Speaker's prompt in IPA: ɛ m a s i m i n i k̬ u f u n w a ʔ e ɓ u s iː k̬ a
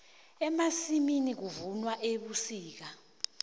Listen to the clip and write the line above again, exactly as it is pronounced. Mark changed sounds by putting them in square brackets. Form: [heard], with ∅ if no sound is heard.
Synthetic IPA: ɛ m a s i m i n i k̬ u [v] u n w a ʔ e ɓ u s iː k̬ a